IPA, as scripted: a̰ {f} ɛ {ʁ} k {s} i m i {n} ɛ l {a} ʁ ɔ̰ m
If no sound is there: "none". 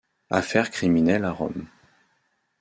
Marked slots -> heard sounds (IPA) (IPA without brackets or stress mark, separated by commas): f, ʁ, χ, n, a